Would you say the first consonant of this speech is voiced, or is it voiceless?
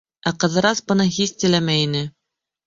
voiceless